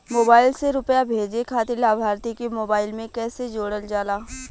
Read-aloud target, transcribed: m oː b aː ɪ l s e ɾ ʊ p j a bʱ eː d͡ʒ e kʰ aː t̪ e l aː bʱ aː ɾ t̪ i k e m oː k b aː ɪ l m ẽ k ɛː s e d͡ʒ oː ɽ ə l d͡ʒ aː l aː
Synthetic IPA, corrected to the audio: m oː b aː ɪ l s e ɾ ʊ p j a bʱ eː d͡ʒ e kʰ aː t̪ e l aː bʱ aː ɾ t̪ i k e m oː b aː ɪ l m ẽ k ɛː s e d͡ʒ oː ɽ ə l d͡ʒ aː l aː